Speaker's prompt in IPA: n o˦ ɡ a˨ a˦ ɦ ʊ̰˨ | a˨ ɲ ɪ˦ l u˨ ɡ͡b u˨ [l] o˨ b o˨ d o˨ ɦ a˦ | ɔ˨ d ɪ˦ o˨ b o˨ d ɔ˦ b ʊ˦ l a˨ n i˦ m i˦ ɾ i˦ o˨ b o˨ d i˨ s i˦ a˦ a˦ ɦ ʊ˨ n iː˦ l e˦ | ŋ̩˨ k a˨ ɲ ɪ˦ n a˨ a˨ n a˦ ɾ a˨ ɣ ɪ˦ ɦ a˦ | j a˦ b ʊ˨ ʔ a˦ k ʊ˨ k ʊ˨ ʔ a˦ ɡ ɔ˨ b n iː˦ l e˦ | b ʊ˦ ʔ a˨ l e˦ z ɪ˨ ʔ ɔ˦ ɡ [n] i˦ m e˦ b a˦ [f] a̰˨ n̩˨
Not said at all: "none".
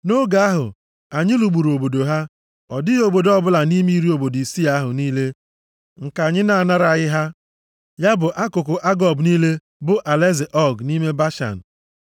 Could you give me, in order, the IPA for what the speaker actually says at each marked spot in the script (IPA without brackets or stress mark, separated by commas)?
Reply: ɾ, n, ʃ